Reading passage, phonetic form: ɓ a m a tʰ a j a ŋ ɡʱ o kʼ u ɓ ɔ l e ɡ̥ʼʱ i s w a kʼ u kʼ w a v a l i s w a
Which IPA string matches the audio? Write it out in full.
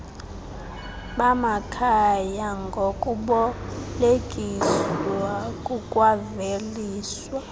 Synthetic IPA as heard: ɓ a m a kʰ a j a ŋ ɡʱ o kʼ u ɓ ɔ l e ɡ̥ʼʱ i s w a kʼ u kʼ w a v e l iː s w a